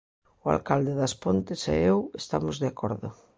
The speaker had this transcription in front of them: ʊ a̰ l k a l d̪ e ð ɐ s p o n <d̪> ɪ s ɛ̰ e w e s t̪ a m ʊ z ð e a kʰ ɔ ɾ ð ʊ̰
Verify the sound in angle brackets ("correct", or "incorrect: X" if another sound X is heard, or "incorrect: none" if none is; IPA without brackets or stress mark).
incorrect: t̪